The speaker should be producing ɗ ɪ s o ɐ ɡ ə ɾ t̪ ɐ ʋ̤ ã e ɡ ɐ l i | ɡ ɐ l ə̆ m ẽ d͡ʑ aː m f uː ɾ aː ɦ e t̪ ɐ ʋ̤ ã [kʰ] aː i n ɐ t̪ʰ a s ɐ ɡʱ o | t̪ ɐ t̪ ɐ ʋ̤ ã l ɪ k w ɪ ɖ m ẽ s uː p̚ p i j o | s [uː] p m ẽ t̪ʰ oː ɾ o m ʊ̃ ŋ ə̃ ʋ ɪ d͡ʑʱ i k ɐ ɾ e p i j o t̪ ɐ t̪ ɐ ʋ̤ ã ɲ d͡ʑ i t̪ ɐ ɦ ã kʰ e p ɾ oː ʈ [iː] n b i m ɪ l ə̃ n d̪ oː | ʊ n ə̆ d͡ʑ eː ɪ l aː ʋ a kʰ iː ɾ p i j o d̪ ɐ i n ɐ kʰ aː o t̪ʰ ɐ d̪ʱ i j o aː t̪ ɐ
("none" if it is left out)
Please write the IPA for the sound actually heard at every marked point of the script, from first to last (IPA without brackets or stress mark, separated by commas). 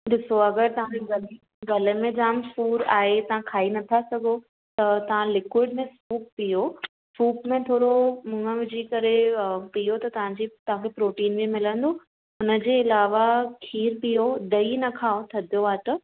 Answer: kʰ, uː, iː